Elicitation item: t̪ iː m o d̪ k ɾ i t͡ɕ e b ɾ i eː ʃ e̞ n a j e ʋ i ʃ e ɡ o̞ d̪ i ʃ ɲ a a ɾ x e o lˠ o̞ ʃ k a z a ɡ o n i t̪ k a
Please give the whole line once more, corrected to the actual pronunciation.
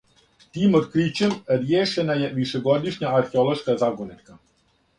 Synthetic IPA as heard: t̪ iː m o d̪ k ɾ i t͡ɕ e m ɾ j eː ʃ e̞ n a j e ʋ i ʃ e ɡ o̞ d̪ i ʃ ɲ a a ɾ x e o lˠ o̞ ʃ k a z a ɡ o n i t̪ k a